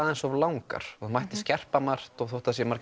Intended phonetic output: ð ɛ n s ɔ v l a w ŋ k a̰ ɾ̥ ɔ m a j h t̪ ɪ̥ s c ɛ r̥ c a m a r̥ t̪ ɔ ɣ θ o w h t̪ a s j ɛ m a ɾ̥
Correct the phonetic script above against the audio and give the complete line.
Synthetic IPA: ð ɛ n s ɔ v l a w ŋ k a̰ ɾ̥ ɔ m a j h t̪ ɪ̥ s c ɛ r̥ p a m a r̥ t̪ ɔ ɣ θ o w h t̪ a s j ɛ m a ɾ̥